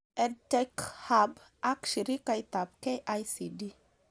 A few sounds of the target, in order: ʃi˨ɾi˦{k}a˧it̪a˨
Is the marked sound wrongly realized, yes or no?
no